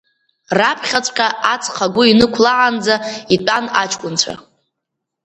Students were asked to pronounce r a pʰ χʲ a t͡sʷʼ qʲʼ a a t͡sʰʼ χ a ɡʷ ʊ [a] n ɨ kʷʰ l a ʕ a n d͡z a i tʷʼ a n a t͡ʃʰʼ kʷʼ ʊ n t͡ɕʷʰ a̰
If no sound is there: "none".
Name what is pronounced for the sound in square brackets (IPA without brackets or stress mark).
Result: i